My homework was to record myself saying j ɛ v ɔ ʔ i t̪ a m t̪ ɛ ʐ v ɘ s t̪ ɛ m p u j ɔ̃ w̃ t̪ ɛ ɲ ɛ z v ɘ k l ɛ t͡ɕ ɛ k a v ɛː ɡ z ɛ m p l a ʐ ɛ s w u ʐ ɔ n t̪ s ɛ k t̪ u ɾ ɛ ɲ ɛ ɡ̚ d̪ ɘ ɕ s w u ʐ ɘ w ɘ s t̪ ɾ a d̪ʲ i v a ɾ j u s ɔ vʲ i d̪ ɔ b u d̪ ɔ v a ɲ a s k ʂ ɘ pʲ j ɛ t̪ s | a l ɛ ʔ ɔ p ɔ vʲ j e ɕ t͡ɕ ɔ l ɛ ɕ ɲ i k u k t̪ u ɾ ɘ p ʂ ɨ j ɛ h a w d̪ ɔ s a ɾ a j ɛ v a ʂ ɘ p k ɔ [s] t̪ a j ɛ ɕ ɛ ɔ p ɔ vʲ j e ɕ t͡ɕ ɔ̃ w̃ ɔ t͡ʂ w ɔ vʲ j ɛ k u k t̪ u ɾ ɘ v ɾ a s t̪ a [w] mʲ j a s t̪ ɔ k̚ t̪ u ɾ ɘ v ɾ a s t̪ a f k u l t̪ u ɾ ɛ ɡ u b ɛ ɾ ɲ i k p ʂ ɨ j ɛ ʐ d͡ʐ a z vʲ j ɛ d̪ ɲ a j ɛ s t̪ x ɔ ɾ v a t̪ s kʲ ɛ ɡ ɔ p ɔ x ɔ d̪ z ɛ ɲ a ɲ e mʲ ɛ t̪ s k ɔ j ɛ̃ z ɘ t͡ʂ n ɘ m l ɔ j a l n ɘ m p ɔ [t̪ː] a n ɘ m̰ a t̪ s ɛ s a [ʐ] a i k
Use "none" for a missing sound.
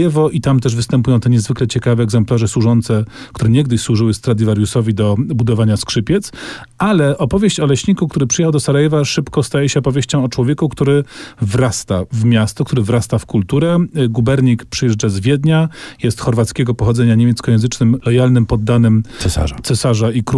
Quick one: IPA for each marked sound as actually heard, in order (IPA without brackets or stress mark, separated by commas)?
s, v, d̪ː, ʐ